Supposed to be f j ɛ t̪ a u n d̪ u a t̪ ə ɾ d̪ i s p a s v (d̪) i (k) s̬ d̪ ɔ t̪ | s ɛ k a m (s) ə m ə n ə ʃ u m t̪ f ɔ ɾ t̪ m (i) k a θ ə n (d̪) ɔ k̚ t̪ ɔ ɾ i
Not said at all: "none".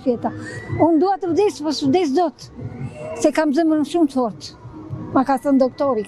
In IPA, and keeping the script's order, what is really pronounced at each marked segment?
d̪, none, z, a, d̪

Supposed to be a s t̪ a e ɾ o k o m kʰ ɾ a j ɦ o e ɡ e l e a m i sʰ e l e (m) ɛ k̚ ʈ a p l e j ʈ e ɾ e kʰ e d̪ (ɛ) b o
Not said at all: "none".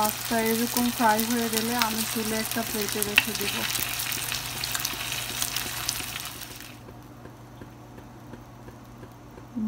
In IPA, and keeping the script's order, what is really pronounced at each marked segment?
none, i

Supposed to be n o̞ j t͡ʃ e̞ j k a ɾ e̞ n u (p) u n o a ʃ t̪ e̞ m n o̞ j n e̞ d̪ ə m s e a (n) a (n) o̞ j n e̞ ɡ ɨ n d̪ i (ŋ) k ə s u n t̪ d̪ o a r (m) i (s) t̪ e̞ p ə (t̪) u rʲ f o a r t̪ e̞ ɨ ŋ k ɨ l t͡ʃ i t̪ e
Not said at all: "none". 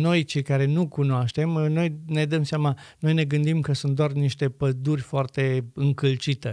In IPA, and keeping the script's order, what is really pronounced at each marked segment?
k, m, n, m, n, ʃ, d̪

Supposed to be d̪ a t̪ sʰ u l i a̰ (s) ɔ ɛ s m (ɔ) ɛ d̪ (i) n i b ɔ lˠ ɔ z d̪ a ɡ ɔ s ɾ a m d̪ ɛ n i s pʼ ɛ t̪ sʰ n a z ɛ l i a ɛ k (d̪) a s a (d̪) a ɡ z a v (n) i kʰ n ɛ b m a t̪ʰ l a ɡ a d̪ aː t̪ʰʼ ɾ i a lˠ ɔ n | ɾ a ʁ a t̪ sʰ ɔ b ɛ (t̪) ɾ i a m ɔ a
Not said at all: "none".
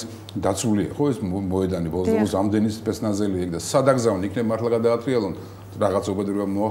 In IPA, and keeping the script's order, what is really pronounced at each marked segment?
χ, ɔ, a, d̪, d̪, n, d̪

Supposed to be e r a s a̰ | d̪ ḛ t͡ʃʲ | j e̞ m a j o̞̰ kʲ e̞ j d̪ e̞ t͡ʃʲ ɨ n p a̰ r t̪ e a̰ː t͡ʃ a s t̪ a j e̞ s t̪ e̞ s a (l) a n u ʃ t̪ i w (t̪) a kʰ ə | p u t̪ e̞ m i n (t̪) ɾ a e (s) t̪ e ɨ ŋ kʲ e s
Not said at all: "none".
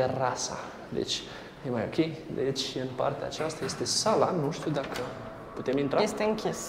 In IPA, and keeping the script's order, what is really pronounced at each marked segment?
l, d̪, t̪, s

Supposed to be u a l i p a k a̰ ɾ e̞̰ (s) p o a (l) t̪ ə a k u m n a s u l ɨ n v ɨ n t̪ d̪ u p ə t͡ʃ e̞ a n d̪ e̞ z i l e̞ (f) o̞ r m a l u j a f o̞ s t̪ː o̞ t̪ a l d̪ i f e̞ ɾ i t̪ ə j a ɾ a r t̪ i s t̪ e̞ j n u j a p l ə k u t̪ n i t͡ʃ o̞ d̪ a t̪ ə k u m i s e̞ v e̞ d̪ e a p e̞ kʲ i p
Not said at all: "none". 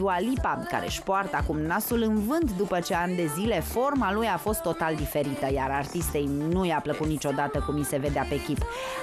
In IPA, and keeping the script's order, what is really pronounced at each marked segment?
ʃ, r, f

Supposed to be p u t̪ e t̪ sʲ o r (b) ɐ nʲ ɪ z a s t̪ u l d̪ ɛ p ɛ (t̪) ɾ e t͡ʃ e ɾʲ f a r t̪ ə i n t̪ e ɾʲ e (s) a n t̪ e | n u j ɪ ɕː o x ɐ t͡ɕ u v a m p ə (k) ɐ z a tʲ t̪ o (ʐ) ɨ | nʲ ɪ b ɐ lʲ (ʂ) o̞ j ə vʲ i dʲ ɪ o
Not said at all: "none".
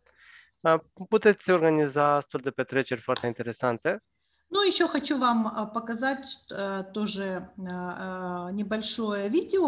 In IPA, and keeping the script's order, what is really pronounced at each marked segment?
ɡ, t̪, s, k, ʐ, ʂ

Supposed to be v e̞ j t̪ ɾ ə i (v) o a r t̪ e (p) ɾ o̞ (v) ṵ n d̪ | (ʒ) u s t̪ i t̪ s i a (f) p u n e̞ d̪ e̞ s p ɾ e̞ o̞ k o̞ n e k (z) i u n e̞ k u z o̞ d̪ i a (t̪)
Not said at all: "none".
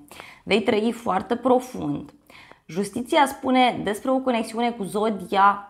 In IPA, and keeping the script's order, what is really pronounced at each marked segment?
f, p, f, ʒ, s, s, none

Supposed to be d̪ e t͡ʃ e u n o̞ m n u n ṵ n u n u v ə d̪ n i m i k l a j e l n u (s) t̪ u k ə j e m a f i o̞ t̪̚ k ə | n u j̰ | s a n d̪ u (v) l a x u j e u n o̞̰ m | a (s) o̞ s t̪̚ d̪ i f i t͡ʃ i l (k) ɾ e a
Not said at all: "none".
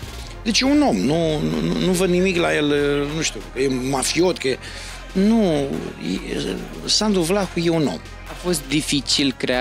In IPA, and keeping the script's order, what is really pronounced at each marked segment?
ʃ, v, f, k

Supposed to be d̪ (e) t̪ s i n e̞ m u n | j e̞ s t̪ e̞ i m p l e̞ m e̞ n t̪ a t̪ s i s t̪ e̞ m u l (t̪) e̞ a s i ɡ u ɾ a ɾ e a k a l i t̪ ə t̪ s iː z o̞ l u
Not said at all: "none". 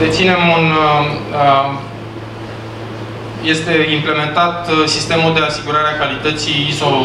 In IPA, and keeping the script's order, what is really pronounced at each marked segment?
e, d̪

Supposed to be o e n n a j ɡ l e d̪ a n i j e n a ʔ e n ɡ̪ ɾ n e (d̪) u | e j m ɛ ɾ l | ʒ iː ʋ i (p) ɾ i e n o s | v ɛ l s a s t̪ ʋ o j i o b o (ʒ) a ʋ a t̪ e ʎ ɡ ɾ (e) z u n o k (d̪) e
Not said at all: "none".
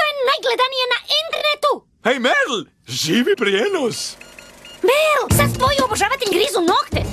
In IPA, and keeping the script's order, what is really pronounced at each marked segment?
t̪, p, ʒ, i, t̪

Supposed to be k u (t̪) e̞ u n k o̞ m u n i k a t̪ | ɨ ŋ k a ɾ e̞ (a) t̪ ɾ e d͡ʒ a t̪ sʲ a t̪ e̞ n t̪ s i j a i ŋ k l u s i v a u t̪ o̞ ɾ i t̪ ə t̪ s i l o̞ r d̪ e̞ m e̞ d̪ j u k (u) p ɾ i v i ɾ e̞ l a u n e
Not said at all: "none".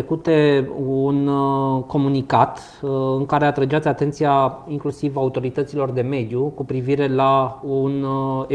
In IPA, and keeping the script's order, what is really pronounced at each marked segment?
t̪, a, u

